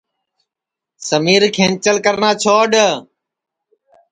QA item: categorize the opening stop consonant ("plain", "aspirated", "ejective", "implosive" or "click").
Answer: aspirated